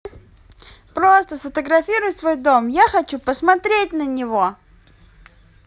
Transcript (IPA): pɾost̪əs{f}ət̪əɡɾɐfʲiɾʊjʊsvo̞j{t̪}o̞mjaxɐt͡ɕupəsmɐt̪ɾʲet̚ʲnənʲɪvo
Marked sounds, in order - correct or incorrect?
correct, incorrect: d̪

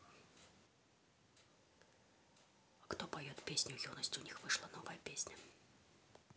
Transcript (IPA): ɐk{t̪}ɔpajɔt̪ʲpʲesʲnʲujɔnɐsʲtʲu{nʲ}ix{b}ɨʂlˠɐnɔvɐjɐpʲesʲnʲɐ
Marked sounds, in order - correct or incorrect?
correct, correct, incorrect: v

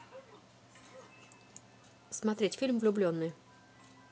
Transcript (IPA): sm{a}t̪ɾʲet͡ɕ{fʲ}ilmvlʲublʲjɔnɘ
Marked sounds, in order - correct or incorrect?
correct, correct

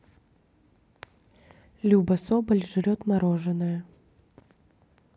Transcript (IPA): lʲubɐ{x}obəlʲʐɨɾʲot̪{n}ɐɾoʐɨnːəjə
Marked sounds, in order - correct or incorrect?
incorrect: s, incorrect: m

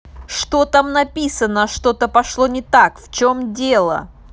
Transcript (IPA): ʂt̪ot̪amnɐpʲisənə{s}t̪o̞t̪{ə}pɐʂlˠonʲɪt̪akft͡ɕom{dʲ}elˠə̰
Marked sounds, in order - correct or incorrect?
incorrect: ʂ, correct, correct

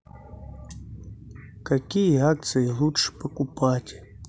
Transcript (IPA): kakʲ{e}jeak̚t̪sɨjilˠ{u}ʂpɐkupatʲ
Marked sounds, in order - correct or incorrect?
incorrect: i, correct

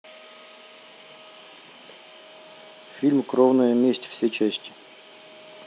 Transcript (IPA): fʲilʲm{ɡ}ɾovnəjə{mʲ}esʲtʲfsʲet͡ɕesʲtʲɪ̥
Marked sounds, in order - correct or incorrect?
incorrect: k, correct

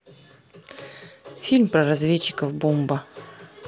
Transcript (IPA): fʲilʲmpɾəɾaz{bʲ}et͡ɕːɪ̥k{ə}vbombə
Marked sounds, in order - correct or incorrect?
incorrect: vʲ, correct

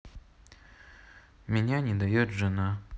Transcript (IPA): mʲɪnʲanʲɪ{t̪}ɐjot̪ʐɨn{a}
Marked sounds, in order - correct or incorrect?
incorrect: d̪, correct

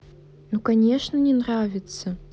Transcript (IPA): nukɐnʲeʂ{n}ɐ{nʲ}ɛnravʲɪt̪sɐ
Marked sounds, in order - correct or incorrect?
correct, correct

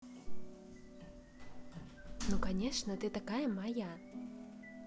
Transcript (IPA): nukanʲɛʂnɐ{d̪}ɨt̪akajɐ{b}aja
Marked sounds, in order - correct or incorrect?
incorrect: t̪, incorrect: m

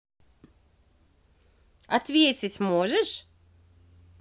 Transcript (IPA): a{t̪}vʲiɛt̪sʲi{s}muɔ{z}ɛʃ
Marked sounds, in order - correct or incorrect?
correct, correct, incorrect: ʒ

